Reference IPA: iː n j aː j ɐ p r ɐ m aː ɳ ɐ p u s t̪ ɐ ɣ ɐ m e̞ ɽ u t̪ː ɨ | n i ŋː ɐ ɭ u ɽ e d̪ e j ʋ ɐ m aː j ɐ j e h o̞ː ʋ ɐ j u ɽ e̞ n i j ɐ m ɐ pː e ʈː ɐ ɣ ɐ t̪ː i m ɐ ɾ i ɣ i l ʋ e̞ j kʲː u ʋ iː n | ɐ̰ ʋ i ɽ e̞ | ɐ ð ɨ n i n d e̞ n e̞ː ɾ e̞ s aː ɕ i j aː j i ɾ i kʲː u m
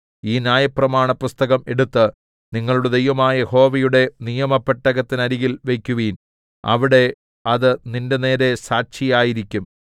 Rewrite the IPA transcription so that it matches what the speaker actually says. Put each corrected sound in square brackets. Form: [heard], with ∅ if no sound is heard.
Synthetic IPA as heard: iː n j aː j ɐ p r ɐ m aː ɳ ɐ p u s t̪ ɐ ɣ ɐ m e̞ ɽ u t̪ː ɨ | n i ŋː ɐ ɭ u ɽ e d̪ e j ʋ ɐ m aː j ɐ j e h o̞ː ʋ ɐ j u ɽ e̞ n i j ɐ m ɐ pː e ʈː ɐ ɣ ɐ t̪ː i [n] ɐ ɾ i ɣ i l ʋ e̞ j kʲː u ʋ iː n | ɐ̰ ʋ i ɽ e̞ | ɐ ð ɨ n i n d e̞ n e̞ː ɾ e̞ s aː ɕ i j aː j i ɾ i kʲː u m